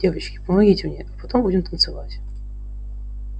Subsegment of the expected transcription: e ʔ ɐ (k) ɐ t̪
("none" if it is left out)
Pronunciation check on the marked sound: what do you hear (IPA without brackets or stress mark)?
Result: p